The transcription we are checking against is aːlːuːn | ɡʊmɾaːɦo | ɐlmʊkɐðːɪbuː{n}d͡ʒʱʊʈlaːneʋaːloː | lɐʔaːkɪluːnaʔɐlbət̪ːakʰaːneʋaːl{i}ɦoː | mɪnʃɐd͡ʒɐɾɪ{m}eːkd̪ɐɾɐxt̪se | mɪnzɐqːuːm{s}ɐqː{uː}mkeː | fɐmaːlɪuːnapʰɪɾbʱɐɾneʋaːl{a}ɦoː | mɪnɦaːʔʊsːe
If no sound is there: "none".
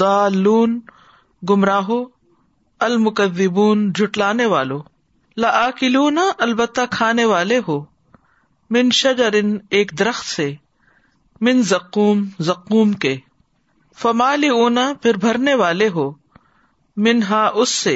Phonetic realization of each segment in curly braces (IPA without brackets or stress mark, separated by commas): n, e, n, z, uː, e